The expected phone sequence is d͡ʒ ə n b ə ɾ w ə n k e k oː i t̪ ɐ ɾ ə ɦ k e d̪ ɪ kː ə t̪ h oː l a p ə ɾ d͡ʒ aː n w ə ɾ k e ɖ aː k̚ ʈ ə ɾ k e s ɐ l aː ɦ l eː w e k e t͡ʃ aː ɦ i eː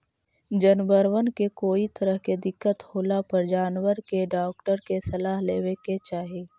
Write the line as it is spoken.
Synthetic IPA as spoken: d͡ʒ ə n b ə ɾ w ə n k e k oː i t̪ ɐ ɾ ə ɦ k e d̪ ɪ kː ə t̪ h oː l a p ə ɾ d͡ʒ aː n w ə ɾ k e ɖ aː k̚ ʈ ə ɾ k e s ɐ l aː ɦ l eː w e k e t͡ʃ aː ɦ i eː